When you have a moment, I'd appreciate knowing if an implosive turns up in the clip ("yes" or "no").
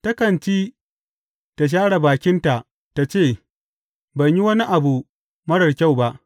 no